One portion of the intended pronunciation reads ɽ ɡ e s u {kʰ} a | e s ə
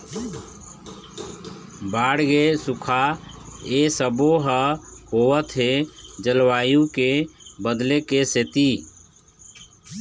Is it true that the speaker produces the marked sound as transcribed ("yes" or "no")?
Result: yes